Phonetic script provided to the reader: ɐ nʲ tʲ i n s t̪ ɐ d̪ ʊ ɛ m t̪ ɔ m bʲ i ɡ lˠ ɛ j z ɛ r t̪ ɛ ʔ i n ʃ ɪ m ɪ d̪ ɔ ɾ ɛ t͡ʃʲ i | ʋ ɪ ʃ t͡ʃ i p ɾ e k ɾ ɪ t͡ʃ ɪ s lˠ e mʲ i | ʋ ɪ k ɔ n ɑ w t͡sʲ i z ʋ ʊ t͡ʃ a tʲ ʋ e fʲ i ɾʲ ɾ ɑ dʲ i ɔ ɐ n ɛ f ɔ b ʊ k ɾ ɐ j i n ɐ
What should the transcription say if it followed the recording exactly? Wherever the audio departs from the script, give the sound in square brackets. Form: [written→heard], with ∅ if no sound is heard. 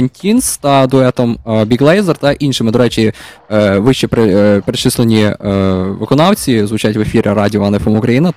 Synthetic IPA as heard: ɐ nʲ tʲ i n s t̪ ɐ d̪ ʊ ɛ [m→∅] t̪ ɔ m bʲ i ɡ lˠ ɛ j z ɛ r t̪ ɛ ʔ i n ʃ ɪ m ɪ d̪ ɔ ɾ ɛ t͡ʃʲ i | ʋ ɪ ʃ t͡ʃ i p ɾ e [k→p] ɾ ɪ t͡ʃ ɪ s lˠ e [mʲ→nʲ] i | ʋ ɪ k ɔ n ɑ w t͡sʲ i z ʋ ʊ t͡ʃ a tʲ ʋ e fʲ i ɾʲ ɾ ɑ dʲ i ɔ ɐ n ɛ f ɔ [b→m] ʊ k ɾ ɐ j i n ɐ